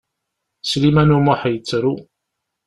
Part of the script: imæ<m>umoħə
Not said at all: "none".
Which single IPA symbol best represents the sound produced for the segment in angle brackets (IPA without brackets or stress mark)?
n